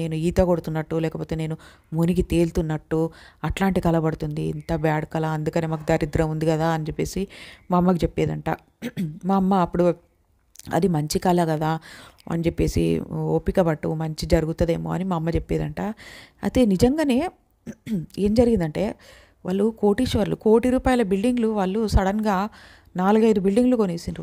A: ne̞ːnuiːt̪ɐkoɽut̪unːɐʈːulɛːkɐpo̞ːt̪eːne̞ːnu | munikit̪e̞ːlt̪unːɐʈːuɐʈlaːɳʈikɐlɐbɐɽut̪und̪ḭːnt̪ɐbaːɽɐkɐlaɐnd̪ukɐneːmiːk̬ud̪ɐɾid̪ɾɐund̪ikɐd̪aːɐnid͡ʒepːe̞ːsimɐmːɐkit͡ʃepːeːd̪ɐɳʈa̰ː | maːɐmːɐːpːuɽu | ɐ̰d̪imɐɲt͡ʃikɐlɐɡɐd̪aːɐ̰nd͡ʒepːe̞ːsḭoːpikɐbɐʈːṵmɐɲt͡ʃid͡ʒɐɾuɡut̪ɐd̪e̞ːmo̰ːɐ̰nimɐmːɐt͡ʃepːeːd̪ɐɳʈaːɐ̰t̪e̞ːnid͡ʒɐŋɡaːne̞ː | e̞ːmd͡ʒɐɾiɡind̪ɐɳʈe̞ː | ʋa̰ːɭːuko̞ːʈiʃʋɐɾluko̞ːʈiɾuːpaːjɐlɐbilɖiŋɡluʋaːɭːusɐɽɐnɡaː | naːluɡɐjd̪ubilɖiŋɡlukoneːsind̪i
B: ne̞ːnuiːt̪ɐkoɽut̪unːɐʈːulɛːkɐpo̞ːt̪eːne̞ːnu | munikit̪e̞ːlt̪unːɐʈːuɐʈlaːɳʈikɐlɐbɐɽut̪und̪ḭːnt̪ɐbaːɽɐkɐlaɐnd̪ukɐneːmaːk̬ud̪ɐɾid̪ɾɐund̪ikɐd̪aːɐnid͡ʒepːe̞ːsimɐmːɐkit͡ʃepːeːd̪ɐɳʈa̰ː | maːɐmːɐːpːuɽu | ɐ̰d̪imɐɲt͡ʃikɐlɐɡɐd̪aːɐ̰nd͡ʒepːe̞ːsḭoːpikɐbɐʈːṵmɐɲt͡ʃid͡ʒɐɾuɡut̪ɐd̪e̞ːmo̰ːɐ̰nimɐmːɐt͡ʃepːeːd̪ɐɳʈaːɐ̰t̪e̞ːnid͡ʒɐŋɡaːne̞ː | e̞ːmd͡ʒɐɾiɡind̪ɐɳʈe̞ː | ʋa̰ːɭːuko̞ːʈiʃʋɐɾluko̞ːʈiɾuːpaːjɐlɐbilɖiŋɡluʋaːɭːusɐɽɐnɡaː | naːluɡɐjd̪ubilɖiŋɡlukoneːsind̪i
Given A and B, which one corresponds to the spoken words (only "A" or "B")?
B